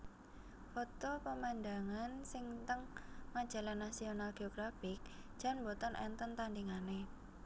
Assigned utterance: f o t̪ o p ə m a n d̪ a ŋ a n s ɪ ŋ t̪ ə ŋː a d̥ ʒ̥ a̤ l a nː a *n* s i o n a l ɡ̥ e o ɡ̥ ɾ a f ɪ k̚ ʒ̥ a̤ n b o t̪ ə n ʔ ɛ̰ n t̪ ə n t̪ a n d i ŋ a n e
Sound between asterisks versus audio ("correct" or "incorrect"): incorrect